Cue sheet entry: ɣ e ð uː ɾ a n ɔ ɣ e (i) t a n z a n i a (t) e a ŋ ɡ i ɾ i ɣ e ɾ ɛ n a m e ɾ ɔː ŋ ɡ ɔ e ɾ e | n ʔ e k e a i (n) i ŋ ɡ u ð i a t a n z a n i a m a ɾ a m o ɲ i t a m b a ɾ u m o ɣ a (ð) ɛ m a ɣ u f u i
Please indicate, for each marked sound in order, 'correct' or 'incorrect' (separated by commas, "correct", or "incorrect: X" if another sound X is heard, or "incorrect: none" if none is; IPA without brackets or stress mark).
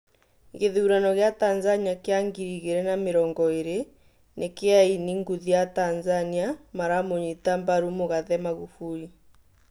incorrect: a, incorrect: k, correct, correct